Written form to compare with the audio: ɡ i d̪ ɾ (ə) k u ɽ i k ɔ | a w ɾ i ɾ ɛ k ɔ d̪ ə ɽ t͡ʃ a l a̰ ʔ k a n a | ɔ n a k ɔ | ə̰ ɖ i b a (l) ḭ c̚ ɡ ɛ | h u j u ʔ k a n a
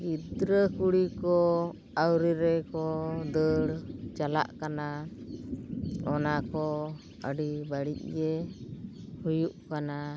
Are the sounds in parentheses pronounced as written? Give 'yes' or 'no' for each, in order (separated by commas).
yes, no